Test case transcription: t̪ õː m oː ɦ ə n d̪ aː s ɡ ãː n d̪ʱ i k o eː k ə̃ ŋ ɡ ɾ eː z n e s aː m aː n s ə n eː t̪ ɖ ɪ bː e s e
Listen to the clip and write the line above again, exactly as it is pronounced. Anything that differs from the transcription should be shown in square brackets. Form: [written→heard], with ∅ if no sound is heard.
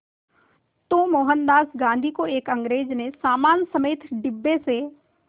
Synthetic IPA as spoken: t̪ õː m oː ɦ ə n d̪ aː s ɡ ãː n d̪ʱ i k o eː k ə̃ ŋ ɡ ɾ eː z n e s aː m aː n s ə [n→m] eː t̪ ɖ ɪ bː e s e